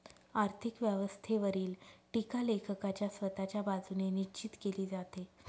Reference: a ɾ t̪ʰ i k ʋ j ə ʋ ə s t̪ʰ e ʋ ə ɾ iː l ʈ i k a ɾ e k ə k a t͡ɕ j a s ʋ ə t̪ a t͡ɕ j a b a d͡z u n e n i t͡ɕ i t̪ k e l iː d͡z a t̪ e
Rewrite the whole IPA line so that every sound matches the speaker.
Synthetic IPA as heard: a ɾ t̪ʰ i k ʋ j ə ʋ ə s t̪ʰ e ʋ ə ɾ iː l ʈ i k a l e kʰ ə k a t͡ɕ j a s ʋ ə t̪ a t͡ɕ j a b a d͡z u n e n i t͡ɕ i t̪ k e l iː d͡z a t̪ e